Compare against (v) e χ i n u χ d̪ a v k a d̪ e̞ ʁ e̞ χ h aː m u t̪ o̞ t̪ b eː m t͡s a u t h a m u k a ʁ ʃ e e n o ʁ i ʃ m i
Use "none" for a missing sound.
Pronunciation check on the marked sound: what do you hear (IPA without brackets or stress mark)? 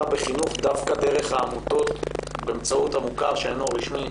b